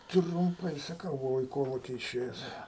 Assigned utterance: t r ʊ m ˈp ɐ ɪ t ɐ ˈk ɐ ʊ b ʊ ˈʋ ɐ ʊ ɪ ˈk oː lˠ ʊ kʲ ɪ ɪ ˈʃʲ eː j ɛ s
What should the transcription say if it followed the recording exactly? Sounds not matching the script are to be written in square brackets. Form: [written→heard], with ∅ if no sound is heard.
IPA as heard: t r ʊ m ˈp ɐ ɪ [t→s] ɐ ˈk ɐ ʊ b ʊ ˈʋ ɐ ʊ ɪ ˈk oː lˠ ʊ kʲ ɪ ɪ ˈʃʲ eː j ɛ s